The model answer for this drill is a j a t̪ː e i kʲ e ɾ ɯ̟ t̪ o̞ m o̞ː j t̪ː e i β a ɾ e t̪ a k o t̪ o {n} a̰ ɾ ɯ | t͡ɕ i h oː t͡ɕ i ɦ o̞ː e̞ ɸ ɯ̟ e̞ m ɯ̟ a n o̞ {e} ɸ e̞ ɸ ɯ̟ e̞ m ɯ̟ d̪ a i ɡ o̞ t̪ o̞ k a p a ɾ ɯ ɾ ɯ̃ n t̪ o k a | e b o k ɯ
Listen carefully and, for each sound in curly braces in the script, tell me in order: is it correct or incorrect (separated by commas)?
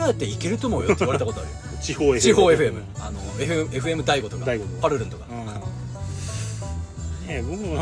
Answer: incorrect, correct